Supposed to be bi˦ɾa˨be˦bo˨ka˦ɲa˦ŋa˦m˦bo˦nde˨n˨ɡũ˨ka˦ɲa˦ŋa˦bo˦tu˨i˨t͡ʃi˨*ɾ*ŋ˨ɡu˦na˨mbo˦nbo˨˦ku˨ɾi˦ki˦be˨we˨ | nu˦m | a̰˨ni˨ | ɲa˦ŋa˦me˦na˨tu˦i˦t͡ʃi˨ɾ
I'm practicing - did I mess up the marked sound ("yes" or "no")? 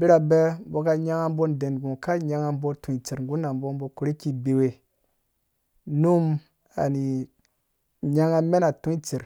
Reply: no